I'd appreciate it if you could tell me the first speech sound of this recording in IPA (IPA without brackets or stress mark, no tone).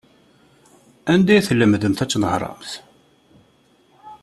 æ